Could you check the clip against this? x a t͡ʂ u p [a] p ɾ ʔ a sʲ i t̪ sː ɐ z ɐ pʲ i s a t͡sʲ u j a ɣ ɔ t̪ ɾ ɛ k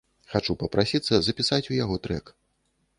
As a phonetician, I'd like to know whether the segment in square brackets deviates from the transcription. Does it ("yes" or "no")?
yes